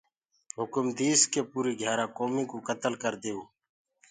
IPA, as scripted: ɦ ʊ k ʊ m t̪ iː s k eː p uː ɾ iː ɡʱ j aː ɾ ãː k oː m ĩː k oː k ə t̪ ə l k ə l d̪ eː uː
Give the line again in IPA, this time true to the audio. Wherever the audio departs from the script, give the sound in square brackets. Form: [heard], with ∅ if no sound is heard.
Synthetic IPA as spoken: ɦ ʊ k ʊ m [d̪] iː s k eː p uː ɾ iː ɡʱ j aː ɾ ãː k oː m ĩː k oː k ə t̪ ə l k ə [ɾ] d̪ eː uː